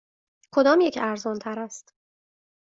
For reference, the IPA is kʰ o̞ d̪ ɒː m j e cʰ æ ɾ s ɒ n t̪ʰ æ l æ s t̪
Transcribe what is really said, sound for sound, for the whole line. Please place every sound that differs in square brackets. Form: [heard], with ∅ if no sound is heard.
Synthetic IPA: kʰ o̞ d̪ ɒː m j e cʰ æ ɾ [z] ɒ n t̪ʰ æ [ɾ] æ s t̪